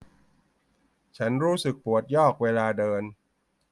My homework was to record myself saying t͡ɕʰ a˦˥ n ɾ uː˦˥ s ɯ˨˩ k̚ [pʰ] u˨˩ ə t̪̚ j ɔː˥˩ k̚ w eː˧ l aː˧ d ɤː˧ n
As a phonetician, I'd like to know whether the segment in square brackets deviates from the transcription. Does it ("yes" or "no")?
yes